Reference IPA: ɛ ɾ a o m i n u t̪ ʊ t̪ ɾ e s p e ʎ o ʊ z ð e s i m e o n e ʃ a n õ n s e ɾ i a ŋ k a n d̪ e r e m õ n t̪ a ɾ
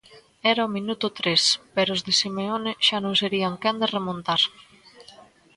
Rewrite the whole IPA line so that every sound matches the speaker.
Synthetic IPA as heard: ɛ ɾ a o m i n u t̪ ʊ t̪ ɾ e s p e ɾ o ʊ z ð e s i m e o n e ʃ a n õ ŋ s e ɾ i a ŋ k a n d̪ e r e m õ n t̪ a ɾ